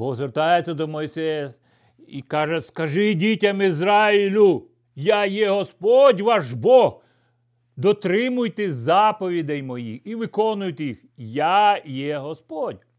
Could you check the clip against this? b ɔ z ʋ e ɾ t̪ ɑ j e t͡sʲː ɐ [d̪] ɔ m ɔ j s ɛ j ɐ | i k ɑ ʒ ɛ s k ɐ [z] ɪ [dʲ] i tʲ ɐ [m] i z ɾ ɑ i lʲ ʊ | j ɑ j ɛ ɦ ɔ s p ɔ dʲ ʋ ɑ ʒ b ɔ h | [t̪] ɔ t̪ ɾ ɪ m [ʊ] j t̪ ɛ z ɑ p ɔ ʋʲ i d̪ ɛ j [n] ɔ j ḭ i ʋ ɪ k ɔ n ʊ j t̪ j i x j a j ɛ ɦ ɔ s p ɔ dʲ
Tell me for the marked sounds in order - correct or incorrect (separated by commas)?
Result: correct, incorrect, correct, correct, incorrect, correct, incorrect